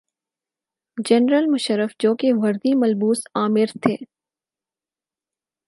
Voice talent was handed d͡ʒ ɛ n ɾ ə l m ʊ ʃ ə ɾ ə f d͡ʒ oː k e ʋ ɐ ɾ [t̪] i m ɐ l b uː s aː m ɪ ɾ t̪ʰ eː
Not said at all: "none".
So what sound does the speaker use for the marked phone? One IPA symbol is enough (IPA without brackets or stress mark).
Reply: d̪